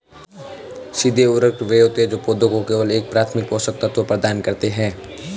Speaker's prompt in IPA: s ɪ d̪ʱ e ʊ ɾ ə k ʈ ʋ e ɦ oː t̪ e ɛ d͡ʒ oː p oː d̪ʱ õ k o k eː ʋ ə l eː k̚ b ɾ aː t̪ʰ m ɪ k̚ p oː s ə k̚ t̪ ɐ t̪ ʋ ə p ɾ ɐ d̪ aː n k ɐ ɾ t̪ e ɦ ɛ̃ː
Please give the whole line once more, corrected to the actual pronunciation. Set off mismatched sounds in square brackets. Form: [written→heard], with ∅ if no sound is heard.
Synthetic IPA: s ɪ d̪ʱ e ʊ ɾ ə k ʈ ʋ e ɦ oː t̪ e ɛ d͡ʒ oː p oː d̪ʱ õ k o k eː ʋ ə l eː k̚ [b→p] ɾ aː t̪ʰ m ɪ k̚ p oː s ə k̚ t̪ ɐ t̪ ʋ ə p ɾ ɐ d̪ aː n k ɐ ɾ t̪ e ɦ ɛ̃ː